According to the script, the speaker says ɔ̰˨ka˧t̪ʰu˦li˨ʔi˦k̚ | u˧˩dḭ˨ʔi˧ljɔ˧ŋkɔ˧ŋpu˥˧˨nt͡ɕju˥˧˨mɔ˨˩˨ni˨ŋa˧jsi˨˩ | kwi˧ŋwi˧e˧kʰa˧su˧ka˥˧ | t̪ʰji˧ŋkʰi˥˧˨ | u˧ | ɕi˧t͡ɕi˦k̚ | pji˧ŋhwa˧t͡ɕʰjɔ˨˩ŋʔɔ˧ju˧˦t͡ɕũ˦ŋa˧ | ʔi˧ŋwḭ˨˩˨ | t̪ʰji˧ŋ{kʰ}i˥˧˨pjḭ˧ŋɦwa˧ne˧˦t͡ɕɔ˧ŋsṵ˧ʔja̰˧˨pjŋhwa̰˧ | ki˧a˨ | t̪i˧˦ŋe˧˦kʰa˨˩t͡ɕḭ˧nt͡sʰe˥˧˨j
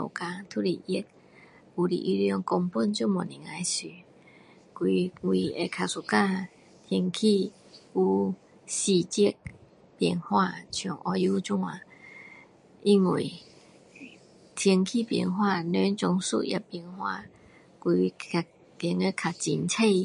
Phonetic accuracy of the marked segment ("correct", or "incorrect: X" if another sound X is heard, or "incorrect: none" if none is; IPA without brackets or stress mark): correct